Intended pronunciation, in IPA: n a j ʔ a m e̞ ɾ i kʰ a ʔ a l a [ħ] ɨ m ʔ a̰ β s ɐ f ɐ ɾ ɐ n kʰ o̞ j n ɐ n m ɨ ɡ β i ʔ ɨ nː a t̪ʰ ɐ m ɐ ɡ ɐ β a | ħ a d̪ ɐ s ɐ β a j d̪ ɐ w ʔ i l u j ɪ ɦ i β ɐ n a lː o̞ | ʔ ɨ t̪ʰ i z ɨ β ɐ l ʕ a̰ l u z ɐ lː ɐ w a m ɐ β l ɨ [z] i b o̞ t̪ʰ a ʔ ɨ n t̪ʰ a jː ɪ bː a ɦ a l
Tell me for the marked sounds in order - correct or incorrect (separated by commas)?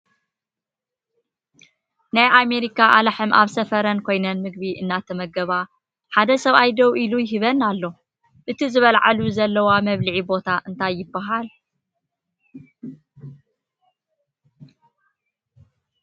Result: correct, incorrect